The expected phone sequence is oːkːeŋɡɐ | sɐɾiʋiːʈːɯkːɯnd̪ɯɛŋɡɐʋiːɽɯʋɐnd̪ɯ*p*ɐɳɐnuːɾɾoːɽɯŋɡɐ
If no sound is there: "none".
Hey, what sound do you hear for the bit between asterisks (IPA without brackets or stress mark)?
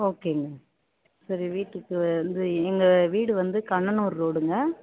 k